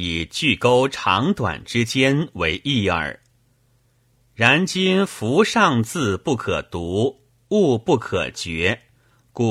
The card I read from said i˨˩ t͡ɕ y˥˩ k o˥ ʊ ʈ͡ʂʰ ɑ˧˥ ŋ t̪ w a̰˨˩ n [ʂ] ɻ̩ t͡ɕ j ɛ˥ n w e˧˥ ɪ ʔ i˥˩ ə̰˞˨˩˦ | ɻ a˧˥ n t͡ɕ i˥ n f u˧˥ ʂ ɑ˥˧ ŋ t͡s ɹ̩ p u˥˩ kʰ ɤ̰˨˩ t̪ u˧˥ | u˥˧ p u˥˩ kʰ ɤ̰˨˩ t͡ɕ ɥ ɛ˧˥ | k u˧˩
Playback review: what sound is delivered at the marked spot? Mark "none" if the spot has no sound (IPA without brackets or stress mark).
ʈ͡ʂ